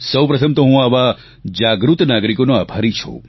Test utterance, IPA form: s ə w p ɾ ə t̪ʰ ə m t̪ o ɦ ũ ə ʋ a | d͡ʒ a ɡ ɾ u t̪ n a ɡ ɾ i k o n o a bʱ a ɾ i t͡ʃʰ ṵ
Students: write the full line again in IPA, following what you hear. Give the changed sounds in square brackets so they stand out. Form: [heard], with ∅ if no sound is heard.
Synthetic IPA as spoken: s ə w p ɾ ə t̪ʰ ə m t̪ o ɦ ũ [a] ʋ a | d͡ʒ a ɡ ɾ u t̪ n a ɡ ɾ i k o n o a bʱ a ɾ i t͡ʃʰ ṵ